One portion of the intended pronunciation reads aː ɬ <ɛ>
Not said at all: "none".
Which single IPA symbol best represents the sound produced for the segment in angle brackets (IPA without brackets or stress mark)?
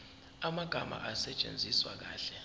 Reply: ɛ